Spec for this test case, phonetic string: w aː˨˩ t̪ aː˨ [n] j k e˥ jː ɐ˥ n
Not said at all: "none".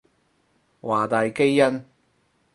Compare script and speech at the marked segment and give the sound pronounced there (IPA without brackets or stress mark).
none